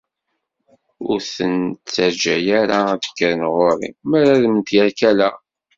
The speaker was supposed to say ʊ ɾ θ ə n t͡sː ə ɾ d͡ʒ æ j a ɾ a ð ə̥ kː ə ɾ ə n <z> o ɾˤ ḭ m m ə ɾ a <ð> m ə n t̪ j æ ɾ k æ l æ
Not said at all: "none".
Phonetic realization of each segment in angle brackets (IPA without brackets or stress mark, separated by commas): ʁ, ð